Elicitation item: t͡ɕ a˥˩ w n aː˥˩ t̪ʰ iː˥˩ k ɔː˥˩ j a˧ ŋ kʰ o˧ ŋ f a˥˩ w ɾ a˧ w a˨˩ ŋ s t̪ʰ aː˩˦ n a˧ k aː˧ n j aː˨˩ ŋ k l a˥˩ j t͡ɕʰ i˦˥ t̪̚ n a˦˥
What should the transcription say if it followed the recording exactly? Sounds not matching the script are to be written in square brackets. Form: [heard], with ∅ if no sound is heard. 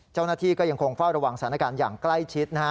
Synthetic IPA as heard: t͡ɕ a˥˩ w n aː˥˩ t̪ʰ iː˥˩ k ɔː˥˩ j a˧ ŋ kʰ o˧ ŋ f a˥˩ w ɾ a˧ w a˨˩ ŋ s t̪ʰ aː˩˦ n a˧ k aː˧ n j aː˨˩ ŋ k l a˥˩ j t͡ɕʰ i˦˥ t̪̚ n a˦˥

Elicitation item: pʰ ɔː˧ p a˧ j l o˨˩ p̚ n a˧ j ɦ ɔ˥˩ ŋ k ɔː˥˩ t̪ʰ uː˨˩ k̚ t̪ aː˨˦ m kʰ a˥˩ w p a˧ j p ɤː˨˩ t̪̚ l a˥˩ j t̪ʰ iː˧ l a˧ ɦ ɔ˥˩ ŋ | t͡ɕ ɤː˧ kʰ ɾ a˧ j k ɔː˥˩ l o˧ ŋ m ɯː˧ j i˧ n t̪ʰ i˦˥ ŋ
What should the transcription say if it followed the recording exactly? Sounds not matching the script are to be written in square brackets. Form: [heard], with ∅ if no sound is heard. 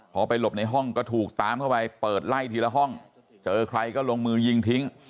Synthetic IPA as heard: pʰ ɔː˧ p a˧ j l o˨˩ p̚ n a˧ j ɦ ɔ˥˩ ŋ k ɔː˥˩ t̪ʰ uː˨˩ k̚ t̪ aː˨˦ m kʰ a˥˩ w p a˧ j p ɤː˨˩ t̪̚ l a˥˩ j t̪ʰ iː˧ l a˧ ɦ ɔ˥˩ ŋ | t͡ɕ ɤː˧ kʰ ɾ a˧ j k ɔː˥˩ l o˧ ŋ m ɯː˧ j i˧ [ŋ] t̪ʰ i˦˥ ŋ

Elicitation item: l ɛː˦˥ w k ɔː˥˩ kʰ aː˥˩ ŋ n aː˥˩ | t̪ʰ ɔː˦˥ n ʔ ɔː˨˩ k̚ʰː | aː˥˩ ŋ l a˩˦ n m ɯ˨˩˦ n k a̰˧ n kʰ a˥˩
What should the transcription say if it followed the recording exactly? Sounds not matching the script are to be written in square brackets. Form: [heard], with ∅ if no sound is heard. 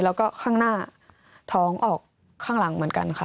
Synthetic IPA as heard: l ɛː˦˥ w k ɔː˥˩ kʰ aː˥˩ ŋ n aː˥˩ | t̪ʰ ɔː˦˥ [ŋ] ʔ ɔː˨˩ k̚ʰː | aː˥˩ ŋ l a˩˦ [ŋ] m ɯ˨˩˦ n k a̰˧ n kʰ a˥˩

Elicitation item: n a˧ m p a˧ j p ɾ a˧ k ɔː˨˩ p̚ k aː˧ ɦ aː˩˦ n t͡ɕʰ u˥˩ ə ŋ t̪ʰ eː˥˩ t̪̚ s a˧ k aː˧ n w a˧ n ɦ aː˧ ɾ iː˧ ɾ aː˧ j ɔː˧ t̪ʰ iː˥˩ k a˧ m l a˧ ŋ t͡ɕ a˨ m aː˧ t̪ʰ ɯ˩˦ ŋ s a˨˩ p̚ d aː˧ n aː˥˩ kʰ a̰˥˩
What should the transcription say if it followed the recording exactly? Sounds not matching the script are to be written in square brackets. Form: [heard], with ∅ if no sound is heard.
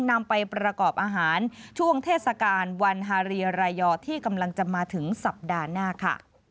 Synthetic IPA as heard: n a˧ m p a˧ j p ɾ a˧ k ɔː˨˩ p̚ [ʔ] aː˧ ɦ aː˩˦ n t͡ɕʰ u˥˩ ə ŋ t̪ʰ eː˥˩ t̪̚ s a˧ k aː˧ n w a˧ n ɦ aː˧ ɾ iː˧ ɾ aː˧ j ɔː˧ t̪ʰ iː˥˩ k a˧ m l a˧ ŋ t͡ɕ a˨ m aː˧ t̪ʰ ɯ˩˦ ŋ s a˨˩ p̚ d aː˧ n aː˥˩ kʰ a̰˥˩

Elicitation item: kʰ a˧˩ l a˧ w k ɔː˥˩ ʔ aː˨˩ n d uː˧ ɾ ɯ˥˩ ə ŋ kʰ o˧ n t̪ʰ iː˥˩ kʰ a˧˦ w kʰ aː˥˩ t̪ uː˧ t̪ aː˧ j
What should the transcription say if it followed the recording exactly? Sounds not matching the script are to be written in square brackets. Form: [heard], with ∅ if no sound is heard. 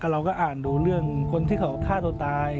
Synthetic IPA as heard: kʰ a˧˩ [ɾ] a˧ w k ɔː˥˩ ʔ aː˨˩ n d uː˧ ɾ ɯ˥˩ ə ŋ kʰ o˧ n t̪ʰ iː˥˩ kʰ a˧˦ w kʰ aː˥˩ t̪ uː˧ t̪ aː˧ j

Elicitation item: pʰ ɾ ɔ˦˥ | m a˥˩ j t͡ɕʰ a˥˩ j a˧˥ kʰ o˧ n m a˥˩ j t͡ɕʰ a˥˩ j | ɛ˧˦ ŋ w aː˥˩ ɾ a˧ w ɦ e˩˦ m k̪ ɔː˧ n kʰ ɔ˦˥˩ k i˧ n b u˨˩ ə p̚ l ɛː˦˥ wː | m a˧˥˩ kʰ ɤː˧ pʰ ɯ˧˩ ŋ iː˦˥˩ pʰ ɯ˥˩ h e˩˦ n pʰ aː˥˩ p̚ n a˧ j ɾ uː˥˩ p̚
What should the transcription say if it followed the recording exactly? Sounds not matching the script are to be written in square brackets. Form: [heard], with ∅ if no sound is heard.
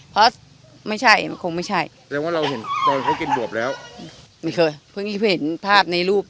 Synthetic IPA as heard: pʰ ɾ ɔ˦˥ | m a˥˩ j t͡ɕʰ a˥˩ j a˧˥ kʰ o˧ [ŋ] m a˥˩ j t͡ɕʰ a˥˩ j | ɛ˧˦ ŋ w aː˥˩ ɾ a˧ w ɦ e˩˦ [n] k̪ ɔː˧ n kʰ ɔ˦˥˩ k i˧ n b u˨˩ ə p̚ l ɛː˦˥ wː | m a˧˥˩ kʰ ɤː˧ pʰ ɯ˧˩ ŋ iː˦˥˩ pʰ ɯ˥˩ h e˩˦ n pʰ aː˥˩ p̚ n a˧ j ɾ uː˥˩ p̚

